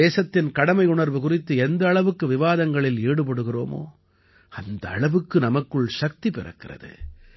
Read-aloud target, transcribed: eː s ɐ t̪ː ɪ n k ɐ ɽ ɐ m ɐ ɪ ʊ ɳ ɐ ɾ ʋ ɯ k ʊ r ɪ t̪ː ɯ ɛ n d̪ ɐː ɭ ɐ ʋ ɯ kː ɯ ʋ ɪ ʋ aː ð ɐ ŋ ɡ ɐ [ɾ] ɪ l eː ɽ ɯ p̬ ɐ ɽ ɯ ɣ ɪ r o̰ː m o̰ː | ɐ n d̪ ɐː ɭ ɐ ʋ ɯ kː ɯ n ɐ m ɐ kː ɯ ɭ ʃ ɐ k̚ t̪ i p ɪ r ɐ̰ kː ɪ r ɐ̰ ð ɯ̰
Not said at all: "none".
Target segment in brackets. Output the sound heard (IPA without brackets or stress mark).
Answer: ɭ